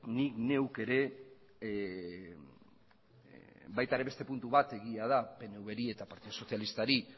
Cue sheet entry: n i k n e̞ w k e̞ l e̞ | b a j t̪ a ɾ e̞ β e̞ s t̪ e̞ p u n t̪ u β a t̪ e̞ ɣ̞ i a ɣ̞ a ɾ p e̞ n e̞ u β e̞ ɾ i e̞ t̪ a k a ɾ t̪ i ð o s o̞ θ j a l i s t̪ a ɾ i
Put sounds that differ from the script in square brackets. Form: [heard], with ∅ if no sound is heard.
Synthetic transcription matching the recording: n i k n e̞ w k e̞ [ɾ] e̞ | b a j t̪ a ɾ e̞ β e̞ s t̪ e̞ p u n t̪ u β a t̪ e̞ ɣ̞ i a [ð̞] a [∅] p e̞ n e̞ u β e̞ ɾ i e̞ t̪ a [p] a ɾ t̪ i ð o s o̞ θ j a l i s t̪ a ɾ i